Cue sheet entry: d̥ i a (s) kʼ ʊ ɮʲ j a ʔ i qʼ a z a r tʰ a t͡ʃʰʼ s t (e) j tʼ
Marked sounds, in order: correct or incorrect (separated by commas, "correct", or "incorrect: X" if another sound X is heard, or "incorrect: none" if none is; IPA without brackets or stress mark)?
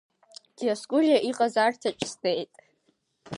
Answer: correct, correct